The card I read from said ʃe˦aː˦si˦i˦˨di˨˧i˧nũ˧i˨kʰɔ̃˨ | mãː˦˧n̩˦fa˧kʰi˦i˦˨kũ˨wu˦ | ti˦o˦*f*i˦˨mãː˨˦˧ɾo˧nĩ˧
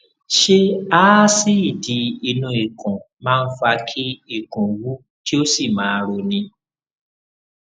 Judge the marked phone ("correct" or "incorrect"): incorrect